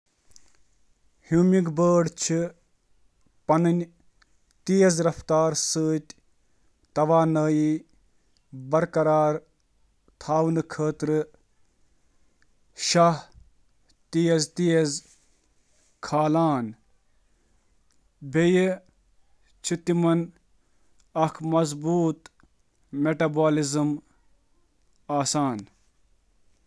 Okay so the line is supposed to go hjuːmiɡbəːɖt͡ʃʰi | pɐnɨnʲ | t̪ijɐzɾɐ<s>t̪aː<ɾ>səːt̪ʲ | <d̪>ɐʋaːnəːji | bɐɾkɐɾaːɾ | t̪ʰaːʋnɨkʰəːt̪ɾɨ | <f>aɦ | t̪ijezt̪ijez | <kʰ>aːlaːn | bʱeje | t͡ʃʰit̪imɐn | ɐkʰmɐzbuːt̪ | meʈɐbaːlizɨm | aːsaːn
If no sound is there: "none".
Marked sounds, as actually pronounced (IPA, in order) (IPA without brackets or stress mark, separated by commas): f, ɾ, t̪, ʃ, kʰ